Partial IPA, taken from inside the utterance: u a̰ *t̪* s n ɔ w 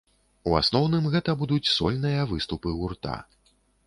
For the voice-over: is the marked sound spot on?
no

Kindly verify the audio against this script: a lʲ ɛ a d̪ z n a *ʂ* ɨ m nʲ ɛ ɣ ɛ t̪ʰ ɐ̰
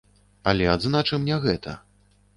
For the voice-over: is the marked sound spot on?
no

